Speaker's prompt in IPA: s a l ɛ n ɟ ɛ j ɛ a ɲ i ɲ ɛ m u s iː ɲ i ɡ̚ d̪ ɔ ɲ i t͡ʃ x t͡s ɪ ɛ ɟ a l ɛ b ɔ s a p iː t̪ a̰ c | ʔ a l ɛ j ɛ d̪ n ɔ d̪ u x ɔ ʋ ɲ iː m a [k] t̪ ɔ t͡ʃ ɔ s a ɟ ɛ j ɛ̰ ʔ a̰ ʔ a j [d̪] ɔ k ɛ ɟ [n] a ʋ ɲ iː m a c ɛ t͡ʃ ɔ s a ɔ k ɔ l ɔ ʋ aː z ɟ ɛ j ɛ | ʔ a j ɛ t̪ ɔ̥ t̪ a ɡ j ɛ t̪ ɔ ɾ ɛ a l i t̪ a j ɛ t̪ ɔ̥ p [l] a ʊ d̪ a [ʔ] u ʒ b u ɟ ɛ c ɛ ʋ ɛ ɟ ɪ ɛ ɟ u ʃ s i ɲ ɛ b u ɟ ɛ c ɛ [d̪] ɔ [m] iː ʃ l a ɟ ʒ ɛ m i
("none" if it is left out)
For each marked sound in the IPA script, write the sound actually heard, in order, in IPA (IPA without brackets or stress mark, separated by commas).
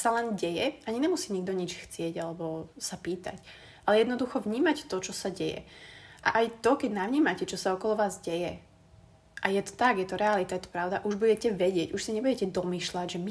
c, t̪, n, ɾ, ʔ, d̪, m